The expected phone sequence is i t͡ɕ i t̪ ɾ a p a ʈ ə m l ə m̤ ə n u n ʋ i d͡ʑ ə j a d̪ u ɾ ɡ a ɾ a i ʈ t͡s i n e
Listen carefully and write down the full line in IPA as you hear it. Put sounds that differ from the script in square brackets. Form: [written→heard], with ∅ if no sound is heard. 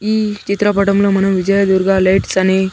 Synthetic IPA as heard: i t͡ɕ i t̪ ɾ a p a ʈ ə m l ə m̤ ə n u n ʋ i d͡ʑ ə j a d̪ u ɾ ɡ a [ɾ→l] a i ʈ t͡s [i→a] n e